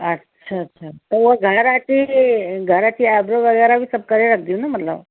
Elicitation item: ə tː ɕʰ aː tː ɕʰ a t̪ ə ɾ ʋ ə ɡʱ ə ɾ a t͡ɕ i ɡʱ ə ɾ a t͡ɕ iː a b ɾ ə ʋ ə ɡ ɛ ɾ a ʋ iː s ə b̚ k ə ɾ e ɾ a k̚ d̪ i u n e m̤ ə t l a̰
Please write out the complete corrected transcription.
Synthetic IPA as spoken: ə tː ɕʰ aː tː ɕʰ a t̪ ə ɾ ʋ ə ɡʱ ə ɾ a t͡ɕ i ɡʱ ə ɾ a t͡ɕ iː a b ɾ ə ʋ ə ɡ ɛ ɾ a ʋ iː s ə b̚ k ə ɾ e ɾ a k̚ d̪ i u n a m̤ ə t l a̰